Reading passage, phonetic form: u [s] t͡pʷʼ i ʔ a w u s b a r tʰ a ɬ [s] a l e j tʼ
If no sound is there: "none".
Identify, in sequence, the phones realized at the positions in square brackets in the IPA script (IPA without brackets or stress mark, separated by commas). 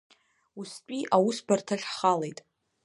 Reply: s, χ